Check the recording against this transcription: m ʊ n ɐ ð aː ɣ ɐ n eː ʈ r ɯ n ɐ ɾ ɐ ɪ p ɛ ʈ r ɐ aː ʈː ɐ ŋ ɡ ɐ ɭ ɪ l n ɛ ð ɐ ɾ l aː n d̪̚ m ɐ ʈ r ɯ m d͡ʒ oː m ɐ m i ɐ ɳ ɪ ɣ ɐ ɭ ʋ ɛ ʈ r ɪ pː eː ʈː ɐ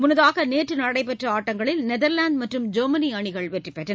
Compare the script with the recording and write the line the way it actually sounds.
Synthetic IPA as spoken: m ʊ n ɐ ð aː ɣ ɐ n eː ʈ r ɯ n ɐ ɽ ɐ ɪ p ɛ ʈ r ɐ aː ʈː ɐ ŋ ɡ ɐ ɭ ɪ l n ɛ ð ɐ ɾ l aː n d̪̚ m ɐ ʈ r ɯ m d͡ʒ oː m ɐ n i ɐ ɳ ɪ ɣ ɐ ɭ ʋ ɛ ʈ r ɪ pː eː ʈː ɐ